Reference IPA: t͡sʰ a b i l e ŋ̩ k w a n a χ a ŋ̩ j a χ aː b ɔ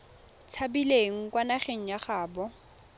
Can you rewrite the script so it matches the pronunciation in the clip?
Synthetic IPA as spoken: t͡sʰ a b i l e ŋ̩ k w a n a χ e ŋ̩ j a χ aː b ɔ